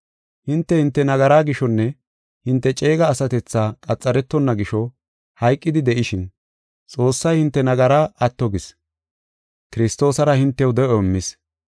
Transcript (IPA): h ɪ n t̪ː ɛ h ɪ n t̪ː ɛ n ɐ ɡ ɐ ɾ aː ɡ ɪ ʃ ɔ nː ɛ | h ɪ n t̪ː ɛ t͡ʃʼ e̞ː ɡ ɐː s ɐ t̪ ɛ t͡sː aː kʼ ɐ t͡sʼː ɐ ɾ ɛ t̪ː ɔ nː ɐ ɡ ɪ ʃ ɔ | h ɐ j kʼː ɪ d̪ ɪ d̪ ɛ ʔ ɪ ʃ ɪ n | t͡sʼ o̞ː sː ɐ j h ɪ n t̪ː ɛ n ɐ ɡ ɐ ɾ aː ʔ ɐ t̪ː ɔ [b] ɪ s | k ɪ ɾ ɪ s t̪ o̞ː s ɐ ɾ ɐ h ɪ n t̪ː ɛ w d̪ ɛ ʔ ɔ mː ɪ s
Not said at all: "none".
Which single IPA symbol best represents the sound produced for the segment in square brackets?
ɡ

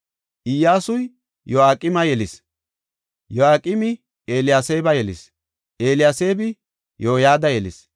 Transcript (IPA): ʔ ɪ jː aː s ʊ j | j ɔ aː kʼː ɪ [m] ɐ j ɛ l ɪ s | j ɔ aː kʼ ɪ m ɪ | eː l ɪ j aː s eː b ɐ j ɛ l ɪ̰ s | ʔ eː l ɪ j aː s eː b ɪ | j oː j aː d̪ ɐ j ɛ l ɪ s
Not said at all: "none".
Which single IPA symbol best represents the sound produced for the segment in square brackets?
m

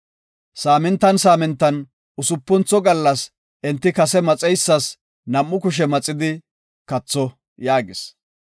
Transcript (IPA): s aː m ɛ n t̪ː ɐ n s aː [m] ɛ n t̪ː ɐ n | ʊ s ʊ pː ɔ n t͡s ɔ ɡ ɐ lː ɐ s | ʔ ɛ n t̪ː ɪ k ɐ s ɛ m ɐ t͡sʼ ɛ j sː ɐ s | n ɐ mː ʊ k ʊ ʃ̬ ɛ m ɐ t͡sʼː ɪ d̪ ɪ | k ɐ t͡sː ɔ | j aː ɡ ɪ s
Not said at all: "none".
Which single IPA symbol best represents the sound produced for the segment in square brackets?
m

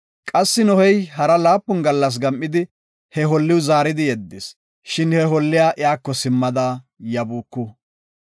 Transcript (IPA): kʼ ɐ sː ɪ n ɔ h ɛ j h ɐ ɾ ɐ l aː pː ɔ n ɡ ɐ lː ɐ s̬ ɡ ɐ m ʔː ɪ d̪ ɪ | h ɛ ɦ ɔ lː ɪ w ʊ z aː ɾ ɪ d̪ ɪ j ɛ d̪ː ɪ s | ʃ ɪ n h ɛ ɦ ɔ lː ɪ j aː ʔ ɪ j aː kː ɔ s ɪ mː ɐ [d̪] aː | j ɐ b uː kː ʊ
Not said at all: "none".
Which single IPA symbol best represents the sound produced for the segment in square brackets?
d̪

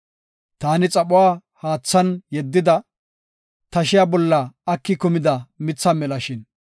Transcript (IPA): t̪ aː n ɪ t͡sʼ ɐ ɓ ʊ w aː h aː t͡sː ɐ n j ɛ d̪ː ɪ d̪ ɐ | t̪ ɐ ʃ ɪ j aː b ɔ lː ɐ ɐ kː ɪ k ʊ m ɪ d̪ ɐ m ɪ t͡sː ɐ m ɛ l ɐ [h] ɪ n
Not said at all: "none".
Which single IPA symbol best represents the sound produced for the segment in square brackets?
ʃ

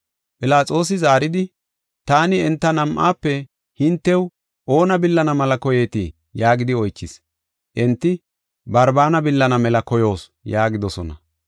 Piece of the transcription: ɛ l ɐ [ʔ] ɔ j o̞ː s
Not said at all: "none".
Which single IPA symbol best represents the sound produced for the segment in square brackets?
k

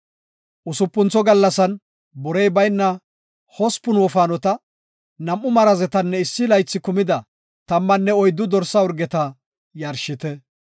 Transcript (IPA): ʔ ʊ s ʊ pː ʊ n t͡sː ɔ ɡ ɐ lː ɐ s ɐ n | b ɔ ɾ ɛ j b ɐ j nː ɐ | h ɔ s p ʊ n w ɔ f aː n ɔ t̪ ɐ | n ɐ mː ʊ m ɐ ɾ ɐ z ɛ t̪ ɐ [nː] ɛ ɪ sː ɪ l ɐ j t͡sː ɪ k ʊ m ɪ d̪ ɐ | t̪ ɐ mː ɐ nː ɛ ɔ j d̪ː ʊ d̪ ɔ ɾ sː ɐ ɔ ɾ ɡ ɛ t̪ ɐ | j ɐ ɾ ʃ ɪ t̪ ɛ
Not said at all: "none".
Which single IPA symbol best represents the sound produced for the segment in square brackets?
nː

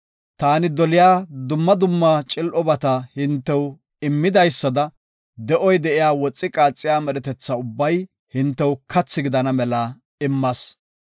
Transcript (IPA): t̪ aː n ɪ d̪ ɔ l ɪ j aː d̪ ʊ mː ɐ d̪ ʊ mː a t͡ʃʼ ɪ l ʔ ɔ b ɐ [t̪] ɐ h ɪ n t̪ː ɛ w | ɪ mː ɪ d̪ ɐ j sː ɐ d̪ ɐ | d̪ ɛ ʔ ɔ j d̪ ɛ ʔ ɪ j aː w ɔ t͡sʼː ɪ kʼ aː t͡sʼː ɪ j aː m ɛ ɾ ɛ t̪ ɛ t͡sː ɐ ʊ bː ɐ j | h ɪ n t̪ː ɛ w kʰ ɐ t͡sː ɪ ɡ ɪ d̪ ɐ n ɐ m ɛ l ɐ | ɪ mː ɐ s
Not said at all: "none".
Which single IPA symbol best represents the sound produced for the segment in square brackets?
t̪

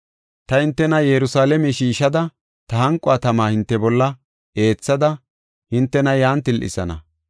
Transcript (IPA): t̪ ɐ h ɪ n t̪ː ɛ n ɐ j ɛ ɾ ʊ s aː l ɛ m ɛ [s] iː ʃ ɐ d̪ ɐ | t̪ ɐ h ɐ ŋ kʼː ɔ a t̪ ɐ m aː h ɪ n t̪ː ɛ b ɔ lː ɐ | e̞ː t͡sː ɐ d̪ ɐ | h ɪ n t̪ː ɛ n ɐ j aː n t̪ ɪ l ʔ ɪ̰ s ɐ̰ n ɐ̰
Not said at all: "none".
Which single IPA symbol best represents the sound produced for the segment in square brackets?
ʃ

